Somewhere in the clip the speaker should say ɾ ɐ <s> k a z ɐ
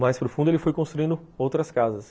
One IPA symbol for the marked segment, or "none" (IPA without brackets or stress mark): s